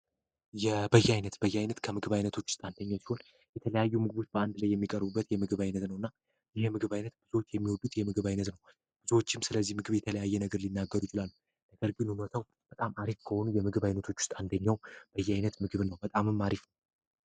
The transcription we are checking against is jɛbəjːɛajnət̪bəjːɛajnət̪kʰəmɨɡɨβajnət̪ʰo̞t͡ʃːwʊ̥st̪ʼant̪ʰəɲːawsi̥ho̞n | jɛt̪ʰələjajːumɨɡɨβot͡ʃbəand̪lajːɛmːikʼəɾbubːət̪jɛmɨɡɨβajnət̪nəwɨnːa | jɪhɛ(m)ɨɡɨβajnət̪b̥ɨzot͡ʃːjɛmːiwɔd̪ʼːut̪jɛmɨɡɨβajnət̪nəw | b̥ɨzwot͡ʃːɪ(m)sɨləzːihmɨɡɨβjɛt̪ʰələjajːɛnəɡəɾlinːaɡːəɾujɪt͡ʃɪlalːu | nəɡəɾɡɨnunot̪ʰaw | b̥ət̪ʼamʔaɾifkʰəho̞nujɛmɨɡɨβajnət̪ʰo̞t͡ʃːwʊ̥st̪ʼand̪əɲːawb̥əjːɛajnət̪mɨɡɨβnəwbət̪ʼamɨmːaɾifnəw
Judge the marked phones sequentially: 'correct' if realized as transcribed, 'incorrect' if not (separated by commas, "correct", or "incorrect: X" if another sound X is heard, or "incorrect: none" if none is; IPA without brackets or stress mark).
correct, correct